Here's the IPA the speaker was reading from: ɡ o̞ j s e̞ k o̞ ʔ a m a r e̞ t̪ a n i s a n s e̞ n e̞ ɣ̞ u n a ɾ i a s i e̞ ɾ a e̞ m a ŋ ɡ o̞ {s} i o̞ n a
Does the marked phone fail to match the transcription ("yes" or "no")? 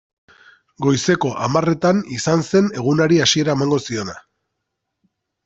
no